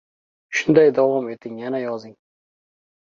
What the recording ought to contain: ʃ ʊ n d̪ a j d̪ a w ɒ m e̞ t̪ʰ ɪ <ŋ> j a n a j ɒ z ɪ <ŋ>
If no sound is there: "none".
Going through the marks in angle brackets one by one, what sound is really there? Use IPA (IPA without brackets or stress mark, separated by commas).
ŋ, ŋ